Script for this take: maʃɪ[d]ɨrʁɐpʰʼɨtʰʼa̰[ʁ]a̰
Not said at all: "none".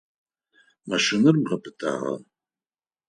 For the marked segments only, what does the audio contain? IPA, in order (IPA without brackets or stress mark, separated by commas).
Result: n, ʁ